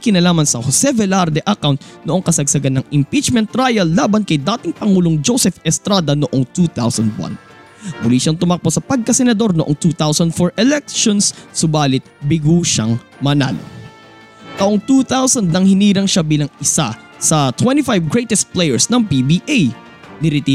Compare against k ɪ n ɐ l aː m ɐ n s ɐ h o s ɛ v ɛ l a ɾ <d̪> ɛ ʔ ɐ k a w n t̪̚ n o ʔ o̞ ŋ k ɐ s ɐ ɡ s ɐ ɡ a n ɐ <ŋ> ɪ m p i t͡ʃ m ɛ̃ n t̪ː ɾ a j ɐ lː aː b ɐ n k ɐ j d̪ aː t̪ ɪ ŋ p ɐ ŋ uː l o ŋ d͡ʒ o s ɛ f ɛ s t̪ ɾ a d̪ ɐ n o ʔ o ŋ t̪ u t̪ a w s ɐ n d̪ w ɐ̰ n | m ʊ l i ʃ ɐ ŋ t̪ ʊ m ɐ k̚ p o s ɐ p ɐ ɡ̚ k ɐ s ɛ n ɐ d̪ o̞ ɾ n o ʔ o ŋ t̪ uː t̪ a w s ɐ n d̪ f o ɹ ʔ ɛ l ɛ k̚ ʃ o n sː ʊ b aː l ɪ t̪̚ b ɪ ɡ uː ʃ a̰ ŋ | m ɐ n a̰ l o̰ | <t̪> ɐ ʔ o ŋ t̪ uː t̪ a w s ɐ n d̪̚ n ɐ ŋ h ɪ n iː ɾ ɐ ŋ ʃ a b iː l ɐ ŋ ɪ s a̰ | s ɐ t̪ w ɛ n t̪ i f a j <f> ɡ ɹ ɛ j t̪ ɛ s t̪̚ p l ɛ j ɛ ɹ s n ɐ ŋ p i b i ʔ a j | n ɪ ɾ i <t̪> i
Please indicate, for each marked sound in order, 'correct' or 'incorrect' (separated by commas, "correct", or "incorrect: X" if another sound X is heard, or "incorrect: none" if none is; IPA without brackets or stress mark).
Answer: correct, correct, correct, incorrect: v, correct